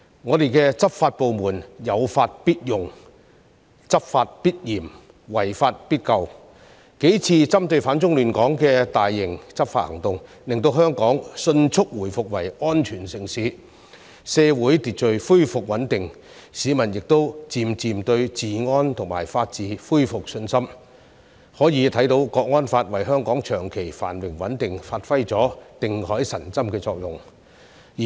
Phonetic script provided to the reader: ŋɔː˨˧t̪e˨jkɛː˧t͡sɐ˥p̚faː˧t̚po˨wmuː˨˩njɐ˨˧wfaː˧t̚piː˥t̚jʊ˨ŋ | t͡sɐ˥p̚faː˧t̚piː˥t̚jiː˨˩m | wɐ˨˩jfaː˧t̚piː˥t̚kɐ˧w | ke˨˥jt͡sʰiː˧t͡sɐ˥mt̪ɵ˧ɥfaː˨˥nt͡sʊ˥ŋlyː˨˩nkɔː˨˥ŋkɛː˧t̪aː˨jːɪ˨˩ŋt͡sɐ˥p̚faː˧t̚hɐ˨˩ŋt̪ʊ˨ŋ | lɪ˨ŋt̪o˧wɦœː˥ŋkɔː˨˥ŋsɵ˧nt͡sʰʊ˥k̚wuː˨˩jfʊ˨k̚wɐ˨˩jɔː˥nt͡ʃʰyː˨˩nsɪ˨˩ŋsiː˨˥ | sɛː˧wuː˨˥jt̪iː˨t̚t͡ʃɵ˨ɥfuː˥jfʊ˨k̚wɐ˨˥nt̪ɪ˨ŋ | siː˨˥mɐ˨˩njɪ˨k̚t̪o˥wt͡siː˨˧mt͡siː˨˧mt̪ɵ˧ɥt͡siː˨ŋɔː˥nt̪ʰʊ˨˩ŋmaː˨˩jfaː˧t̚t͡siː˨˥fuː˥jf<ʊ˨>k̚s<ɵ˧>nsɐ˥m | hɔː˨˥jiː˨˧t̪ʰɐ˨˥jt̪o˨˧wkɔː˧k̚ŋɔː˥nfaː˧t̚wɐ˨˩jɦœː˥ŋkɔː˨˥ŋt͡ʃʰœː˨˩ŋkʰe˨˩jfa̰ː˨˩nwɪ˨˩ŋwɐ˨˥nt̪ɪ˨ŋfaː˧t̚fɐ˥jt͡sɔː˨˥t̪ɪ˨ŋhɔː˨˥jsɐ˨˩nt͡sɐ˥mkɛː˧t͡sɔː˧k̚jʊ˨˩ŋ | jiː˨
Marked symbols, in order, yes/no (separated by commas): yes, yes